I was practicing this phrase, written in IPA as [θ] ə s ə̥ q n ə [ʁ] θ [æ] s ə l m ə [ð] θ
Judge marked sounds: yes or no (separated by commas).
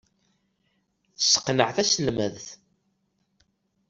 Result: yes, no, yes, yes